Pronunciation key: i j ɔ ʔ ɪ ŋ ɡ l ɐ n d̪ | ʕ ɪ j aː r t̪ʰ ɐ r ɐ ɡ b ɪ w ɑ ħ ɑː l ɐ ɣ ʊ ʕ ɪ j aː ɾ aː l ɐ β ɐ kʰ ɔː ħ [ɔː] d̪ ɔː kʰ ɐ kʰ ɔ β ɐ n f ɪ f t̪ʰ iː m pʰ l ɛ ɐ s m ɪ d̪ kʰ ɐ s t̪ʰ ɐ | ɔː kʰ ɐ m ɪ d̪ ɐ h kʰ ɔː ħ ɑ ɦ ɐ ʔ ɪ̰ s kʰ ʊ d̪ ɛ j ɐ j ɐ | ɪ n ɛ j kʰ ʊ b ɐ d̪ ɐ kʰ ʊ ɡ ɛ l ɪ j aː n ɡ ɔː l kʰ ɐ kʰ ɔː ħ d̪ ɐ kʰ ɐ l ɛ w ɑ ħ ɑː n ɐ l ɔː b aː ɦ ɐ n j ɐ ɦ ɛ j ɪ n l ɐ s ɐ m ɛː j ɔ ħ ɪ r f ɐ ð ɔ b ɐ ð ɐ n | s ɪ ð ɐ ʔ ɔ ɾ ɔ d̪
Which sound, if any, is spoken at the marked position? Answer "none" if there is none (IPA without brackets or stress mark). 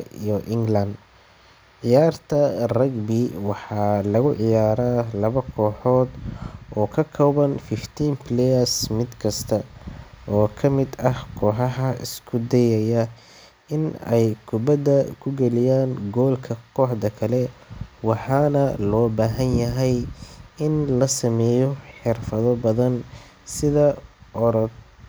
ɔː